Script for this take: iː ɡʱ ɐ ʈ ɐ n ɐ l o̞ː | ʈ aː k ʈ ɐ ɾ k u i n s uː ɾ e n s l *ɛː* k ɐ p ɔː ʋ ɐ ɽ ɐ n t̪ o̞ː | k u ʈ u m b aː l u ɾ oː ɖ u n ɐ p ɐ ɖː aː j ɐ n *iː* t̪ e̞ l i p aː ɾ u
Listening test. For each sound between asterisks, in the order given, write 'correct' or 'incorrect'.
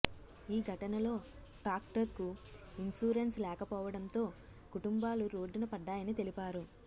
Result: correct, incorrect

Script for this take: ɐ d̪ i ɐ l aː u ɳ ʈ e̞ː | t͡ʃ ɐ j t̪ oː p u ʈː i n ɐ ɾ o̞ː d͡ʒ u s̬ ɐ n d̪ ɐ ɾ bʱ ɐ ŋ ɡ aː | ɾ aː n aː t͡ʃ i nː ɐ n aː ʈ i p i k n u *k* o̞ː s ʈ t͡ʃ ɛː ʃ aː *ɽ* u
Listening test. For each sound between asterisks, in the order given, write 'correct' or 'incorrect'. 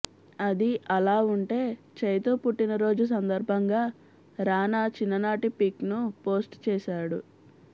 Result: incorrect, correct

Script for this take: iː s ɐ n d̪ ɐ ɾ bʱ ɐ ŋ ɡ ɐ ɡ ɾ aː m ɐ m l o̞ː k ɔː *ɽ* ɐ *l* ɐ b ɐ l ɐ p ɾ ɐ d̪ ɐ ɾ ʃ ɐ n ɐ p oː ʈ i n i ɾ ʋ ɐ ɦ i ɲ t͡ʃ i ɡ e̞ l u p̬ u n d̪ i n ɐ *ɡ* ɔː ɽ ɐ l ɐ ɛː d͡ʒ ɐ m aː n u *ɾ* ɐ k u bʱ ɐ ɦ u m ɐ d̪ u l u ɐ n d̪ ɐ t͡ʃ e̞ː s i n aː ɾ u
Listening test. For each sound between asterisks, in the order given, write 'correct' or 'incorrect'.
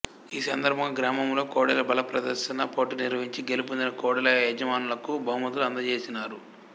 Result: correct, correct, incorrect, incorrect

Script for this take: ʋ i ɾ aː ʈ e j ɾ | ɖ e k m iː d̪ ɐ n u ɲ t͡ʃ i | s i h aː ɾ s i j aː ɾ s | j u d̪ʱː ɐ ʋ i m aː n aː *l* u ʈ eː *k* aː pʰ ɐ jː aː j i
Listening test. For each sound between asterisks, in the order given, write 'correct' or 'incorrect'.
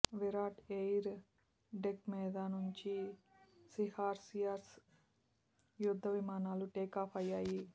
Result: correct, correct

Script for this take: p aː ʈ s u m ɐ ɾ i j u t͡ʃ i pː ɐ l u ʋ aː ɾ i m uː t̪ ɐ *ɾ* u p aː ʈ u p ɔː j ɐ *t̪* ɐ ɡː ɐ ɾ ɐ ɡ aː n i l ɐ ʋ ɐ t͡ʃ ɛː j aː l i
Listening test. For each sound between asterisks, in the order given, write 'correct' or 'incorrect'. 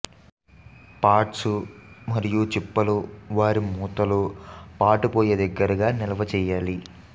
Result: incorrect, incorrect

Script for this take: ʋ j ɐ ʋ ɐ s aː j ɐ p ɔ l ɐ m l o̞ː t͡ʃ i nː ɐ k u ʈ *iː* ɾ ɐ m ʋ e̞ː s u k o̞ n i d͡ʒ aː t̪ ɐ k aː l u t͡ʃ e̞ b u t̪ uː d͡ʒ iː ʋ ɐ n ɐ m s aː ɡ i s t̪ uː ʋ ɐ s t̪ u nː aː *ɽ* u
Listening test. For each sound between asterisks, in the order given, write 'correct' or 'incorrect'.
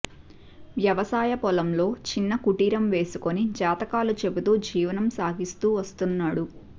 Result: correct, correct

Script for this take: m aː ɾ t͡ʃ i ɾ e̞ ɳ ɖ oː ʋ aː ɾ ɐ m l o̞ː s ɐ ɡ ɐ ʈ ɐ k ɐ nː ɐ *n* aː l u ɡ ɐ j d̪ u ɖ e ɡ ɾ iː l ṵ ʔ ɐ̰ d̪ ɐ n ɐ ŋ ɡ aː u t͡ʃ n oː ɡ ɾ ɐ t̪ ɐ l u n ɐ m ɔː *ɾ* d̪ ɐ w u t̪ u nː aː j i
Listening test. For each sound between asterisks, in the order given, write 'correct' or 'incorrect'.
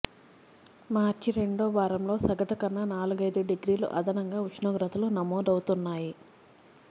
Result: correct, incorrect

